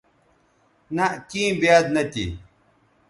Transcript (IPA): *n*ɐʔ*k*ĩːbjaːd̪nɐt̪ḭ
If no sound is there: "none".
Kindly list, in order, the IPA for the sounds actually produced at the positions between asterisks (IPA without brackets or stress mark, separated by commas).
n, k